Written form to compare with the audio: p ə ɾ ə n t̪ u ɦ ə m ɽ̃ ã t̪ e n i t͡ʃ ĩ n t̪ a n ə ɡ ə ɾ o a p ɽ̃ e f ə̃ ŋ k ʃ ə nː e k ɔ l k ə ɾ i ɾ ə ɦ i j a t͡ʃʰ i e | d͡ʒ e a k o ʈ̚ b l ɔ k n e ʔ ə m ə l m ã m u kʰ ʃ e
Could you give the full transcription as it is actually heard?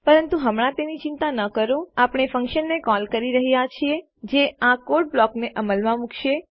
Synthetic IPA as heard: p ə ɾ ə n t̪ u ɦ ə m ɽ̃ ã t̪ e n i t͡ʃ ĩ n t̪ a n ə k ə ɾ o a p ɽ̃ e f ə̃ ŋ k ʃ ə nː e k ɔ l k ə ɾ i ɾ ə ɦ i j a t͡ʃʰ i e | d͡ʒ e a k o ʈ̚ b l ɔ k n e ʔ ə m ə l m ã m u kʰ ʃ e